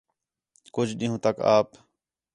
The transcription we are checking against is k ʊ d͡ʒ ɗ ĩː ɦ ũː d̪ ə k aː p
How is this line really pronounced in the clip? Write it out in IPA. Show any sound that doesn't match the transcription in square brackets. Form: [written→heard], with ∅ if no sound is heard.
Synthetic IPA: k ʊ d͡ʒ ɗ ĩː ɦ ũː [d̪→t̪] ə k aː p